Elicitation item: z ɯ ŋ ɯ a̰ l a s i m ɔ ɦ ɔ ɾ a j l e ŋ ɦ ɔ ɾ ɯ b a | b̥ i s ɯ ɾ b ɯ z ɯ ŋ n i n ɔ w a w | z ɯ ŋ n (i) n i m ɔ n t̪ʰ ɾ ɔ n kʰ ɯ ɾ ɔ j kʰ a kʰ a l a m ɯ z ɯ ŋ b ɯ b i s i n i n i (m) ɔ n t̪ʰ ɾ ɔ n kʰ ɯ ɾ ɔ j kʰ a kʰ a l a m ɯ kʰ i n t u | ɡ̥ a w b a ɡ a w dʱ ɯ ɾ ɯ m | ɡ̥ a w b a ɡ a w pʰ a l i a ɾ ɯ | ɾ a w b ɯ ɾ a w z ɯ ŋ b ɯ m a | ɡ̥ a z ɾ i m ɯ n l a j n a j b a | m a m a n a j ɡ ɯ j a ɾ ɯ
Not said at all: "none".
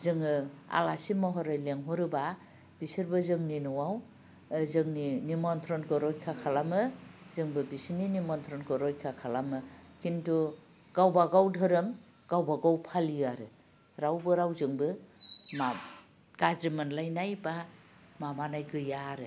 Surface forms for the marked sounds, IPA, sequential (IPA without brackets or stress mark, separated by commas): i, m